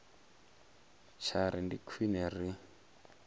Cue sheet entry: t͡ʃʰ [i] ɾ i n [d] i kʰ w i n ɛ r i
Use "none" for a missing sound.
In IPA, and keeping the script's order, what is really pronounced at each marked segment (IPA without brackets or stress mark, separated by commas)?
a, d